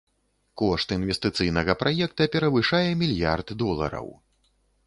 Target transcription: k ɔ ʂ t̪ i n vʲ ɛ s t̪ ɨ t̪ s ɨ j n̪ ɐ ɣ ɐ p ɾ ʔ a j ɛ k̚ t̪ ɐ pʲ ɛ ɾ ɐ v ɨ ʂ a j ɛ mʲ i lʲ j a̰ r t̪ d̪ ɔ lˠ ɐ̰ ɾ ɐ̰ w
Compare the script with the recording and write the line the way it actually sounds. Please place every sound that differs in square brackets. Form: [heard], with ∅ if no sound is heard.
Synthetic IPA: k ɔ ʂ t̪ i n vʲ ɛ s t̪ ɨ t̪ s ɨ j n̪ ɐ ɣ ɐ p ɾ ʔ a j ɛ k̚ t̪ ɐ pʲ ɛ ɾ ɐ v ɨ ʂ a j ɛ mʲ i lʲ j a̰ r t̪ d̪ ɔ lˠ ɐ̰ ɾ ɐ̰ w